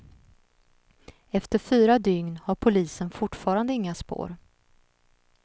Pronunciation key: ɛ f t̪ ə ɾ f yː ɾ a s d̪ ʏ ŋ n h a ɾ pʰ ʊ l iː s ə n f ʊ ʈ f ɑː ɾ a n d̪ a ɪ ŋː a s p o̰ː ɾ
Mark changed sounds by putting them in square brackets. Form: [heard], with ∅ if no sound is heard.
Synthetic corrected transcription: ɛ f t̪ ə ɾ f yː ɾ a [∅] d̪ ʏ ŋ n h a ɾ pʰ ʊ l iː s ə n f ʊ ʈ f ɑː ɾ a n d̪ [ə] ɪ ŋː a s p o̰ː ɾ